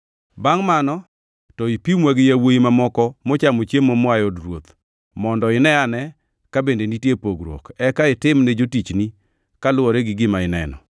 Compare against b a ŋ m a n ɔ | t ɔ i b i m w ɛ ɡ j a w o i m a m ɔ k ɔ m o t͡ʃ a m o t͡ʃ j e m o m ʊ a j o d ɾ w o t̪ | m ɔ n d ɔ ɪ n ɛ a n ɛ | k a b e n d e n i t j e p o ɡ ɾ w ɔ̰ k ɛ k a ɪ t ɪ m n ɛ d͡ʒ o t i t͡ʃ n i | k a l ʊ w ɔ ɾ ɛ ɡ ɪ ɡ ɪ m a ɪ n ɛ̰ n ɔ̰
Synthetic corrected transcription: b a ŋ m a n ɔ | t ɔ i p i m w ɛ ɡ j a w o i m a m ɔ k ɔ m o t͡ʃ a m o t͡ʃ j e m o m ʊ a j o d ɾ w o t̪ | m ɔ n d ɔ ɪ n ɛ a n ɛ | k a b e n d e n i t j e p o ɡ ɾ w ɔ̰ k ɛ k a ɪ t ɪ m n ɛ d͡ʒ o t i t͡ʃ n i | k a l ʊ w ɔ ɾ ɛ ɡ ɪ ɡ ɪ m a ɪ n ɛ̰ n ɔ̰